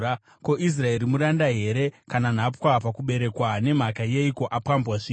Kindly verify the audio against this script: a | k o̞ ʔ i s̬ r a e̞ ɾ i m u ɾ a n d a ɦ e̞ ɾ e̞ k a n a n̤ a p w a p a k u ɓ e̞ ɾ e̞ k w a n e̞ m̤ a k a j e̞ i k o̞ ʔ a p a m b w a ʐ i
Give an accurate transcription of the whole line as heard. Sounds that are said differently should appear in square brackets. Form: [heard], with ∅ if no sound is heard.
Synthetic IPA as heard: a | k o̞ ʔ i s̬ r a e̞ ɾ i m u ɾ a n d a ɦ e̞ ɾ e̞ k a n a n̤ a p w a p a k u ɓ e̞ ɾ e̞ k w a n e̞ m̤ a k a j e̞ i k o̞ ʔ a p a m b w a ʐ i